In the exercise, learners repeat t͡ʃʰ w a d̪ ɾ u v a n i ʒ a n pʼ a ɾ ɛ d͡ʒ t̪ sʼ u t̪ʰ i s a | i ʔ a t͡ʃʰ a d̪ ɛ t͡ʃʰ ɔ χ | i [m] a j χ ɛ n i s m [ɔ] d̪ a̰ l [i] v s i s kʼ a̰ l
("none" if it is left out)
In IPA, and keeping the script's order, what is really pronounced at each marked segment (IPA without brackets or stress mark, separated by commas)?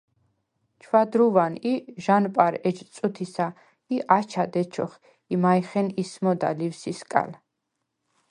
m, ɔ, i